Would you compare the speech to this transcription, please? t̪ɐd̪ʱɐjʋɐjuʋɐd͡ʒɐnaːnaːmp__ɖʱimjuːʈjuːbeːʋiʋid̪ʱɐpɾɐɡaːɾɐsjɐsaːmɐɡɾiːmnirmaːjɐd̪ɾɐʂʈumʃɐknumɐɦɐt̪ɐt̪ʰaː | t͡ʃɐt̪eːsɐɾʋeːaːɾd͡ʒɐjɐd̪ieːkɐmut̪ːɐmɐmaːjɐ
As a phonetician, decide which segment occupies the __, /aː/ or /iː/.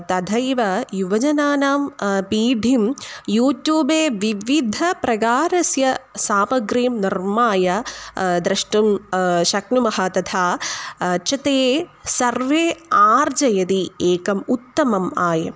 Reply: iː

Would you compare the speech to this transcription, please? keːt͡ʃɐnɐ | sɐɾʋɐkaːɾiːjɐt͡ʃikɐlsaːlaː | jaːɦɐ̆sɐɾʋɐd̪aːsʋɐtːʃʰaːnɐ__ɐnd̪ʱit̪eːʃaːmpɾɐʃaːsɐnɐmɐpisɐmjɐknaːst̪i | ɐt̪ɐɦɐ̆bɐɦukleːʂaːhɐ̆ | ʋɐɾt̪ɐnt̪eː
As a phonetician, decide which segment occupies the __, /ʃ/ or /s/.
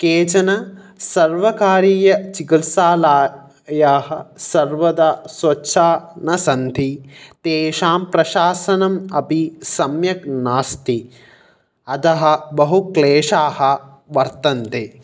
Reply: s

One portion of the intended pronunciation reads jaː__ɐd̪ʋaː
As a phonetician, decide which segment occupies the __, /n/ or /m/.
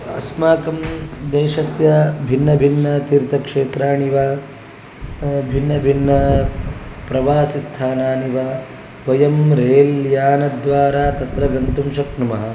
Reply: n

